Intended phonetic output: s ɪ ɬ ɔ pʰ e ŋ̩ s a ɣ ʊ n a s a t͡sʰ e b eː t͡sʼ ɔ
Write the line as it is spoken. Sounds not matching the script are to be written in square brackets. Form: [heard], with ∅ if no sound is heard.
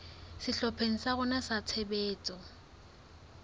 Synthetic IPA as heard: s ɪ ɬ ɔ pʰ e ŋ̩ s a ɣ ʊ n a s a t͡sʰ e b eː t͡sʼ ɔ